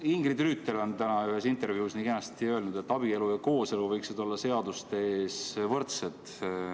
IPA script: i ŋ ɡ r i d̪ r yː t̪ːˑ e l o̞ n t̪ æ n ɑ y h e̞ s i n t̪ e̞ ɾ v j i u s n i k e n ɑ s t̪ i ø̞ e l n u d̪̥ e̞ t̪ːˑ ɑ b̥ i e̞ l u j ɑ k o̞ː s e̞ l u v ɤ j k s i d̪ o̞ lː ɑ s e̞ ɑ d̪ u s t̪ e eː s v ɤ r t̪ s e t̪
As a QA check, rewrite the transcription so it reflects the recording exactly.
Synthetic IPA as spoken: i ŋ ɡ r i d̪ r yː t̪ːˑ e l o̞ n t̪ æ n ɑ y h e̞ s i n t̪ e̞ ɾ v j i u s n i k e n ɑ s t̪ i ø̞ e l n u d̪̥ e̞ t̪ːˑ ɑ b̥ i e̞ l u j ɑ k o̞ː s e̞ l u v ɤ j k s i d̪ o̞ lː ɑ s e̞ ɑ d̪ u s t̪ e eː s v ɤ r t̪ s e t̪